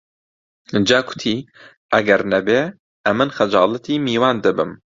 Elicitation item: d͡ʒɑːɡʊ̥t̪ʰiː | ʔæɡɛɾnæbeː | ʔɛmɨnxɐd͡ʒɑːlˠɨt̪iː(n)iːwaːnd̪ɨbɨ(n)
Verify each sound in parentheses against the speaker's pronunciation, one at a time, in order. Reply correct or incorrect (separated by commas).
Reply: incorrect, incorrect